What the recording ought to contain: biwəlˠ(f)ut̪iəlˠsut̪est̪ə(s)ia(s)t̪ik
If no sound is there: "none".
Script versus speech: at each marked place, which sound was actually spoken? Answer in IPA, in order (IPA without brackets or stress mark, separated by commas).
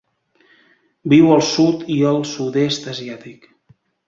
s, z, none